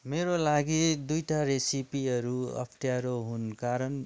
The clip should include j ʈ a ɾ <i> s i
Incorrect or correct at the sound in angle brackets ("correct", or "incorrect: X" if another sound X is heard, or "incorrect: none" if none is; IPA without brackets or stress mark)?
incorrect: e